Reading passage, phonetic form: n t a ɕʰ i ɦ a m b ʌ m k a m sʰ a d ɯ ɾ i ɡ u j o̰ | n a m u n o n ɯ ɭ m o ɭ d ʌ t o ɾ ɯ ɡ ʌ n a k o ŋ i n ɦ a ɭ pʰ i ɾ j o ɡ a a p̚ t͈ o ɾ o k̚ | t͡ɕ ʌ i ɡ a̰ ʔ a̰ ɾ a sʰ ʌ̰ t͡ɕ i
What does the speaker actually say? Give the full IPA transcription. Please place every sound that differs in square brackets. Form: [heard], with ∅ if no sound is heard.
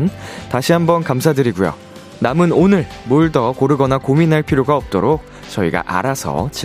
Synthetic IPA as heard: n t a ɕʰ i ɦ a m b ʌ [n] k a m sʰ a d ɯ ɾ i ɡ u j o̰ | n a m [ɯ] n o n ɯ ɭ m o ɭ d ʌ [k] o ɾ ɯ ɡ ʌ n a k o [m] i n ɦ a ɭ pʰ i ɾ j o ɡ a [ʌ] p̚ t͈ o ɾ o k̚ | t͡ɕ ʌ i ɡ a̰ ʔ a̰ ɾ a sʰ ʌ̰ t͡ɕ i